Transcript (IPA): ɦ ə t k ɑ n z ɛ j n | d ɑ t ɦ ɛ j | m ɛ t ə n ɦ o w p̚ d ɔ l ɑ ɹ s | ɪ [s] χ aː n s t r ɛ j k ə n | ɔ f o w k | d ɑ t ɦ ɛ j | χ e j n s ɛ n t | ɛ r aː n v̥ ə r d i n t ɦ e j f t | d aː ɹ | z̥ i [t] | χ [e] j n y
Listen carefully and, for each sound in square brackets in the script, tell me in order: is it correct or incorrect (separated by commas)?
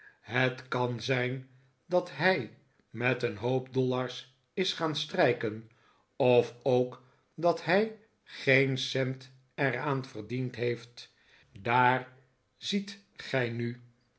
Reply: correct, correct, incorrect